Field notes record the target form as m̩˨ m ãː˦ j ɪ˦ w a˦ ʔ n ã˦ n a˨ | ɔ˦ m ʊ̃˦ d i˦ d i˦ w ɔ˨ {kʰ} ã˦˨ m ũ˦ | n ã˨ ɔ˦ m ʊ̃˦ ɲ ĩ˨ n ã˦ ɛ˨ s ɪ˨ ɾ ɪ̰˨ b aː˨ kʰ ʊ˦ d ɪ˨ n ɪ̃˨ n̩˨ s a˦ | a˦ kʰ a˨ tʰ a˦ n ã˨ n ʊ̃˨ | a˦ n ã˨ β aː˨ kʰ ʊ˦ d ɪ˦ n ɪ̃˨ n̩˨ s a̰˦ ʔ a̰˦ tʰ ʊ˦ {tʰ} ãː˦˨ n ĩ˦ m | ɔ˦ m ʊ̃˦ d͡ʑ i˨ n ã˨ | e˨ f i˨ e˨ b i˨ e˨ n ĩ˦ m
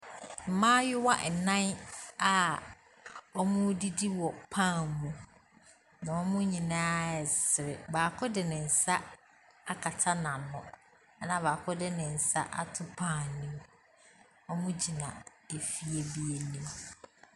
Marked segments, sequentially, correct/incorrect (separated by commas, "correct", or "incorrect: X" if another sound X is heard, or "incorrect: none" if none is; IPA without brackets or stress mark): incorrect: pʰ, incorrect: pʰ